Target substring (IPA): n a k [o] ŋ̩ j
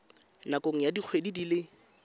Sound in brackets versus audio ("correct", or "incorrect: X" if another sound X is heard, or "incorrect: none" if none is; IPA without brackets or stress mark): correct